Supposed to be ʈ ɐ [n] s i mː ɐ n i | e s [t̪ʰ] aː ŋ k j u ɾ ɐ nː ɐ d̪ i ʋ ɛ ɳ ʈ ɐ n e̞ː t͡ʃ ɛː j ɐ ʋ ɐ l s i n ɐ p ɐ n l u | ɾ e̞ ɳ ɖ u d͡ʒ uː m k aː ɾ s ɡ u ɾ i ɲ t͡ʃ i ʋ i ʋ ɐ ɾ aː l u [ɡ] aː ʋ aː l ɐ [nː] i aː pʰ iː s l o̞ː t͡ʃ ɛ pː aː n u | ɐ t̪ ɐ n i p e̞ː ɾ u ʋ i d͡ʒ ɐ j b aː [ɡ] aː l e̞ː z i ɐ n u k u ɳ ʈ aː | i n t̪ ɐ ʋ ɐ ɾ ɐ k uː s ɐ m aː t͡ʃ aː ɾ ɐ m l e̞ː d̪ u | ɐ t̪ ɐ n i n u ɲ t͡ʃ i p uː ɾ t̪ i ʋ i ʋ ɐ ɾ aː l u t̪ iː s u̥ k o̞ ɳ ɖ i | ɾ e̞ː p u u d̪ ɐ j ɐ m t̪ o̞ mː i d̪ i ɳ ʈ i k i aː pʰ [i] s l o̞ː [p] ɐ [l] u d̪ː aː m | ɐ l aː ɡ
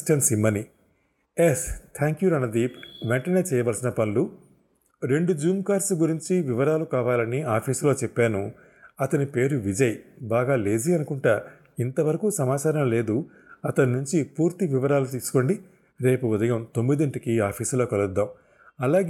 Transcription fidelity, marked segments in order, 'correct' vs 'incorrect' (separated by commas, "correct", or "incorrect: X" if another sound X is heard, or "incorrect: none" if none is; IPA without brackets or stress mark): correct, correct, incorrect: k, incorrect: n, correct, incorrect: iː, incorrect: k, correct